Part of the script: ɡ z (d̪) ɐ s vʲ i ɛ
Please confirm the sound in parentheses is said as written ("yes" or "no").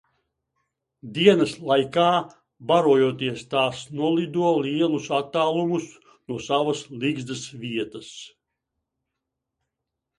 yes